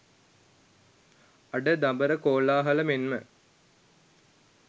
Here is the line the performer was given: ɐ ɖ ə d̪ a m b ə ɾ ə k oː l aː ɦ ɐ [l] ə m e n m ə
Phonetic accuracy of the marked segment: correct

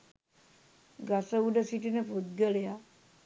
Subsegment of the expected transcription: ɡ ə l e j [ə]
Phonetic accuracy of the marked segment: incorrect: a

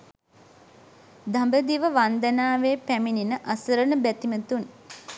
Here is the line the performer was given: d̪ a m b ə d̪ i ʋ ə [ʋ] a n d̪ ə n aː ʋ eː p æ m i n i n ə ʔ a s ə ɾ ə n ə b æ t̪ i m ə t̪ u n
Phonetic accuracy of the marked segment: correct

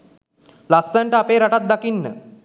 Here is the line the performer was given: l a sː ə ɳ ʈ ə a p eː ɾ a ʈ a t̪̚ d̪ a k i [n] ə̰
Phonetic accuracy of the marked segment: incorrect: nː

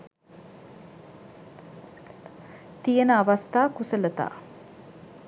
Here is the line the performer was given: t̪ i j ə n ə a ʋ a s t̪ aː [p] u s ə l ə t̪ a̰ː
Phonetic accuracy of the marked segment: incorrect: k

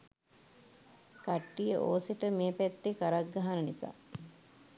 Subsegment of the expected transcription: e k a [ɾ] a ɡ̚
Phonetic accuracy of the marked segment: correct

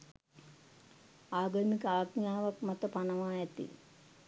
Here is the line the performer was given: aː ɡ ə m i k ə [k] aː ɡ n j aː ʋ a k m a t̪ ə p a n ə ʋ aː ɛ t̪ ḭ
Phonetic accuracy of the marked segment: incorrect: none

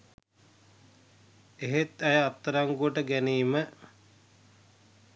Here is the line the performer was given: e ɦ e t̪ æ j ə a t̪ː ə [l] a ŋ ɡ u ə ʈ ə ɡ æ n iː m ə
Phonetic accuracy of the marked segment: incorrect: ɾ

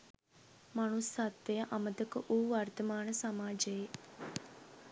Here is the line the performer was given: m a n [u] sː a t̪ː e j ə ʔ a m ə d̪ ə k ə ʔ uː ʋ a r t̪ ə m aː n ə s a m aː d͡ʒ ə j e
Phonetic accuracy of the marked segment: correct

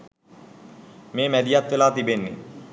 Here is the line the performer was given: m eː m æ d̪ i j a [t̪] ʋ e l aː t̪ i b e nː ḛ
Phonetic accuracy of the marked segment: correct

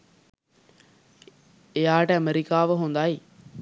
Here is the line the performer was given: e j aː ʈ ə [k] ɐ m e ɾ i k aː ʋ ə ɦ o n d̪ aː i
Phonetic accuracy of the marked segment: incorrect: none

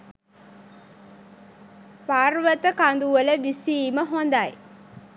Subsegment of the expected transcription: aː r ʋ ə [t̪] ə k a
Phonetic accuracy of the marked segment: correct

